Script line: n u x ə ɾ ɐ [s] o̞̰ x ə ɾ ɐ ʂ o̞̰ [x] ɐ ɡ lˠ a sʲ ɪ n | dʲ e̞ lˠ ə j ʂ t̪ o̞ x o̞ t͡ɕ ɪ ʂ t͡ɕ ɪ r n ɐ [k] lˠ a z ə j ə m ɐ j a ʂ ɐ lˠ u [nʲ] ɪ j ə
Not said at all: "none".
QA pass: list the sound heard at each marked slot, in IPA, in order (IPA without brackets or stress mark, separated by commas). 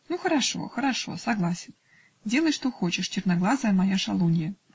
ʂ, s, ɡ, nʲ